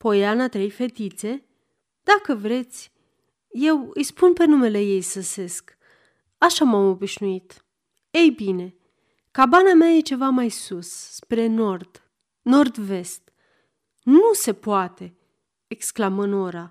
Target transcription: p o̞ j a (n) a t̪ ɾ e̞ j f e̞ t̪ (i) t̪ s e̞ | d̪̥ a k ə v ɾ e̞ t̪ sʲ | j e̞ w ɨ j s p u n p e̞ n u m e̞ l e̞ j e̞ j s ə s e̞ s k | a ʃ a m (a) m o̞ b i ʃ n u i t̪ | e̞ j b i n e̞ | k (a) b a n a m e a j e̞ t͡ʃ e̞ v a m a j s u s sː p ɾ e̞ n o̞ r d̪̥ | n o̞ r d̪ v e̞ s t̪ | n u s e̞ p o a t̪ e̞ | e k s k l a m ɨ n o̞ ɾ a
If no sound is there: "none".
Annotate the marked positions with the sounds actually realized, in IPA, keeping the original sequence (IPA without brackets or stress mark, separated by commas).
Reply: n, i, a, a